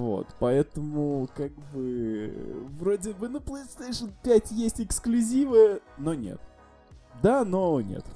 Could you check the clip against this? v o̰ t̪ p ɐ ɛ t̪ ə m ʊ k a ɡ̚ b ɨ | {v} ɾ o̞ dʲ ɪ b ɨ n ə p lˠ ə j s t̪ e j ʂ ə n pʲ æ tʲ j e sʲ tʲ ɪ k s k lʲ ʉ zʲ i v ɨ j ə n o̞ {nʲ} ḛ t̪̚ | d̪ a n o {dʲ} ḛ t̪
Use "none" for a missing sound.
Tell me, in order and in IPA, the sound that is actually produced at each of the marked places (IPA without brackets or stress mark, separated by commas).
v, nʲ, nʲ